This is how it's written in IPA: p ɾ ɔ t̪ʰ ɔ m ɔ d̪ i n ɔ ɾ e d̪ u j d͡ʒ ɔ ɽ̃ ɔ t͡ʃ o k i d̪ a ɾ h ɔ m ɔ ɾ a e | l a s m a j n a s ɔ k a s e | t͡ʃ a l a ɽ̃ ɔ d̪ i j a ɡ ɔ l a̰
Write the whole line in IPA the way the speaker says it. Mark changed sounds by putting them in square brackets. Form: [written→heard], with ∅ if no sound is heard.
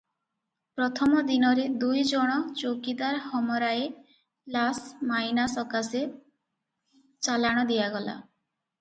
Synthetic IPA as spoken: p ɾ ɔ t̪ʰ ɔ m ɔ d̪ i n ɔ ɾ e d̪ u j d͡ʒ ɔ ɽ̃ ɔ t͡ʃ o k i d̪ a ɾ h ɔ m ɔ ɾ a e | l a s m a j n a s ɔ k a s e | t͡ʃ a l a ɽ̃ ɔ d̪ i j a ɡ ɔ l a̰